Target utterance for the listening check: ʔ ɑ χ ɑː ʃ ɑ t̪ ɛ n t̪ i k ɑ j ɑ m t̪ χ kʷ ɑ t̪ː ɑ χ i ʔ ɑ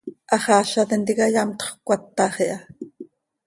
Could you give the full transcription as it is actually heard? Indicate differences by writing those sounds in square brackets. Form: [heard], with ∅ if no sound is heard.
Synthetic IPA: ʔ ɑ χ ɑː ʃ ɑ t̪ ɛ n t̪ i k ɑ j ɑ m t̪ χ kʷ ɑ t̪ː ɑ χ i ʔ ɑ